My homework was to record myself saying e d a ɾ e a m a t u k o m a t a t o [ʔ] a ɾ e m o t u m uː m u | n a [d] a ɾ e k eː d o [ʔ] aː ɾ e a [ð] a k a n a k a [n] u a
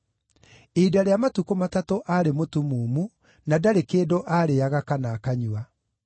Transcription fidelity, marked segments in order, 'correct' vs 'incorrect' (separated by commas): correct, correct, correct, incorrect, incorrect